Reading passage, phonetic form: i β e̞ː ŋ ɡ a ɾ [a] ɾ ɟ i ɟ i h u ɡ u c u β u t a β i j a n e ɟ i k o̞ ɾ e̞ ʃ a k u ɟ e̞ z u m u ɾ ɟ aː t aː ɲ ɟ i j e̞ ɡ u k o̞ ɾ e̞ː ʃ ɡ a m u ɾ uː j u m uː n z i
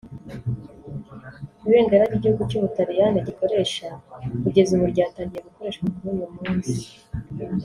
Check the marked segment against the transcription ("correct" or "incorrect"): correct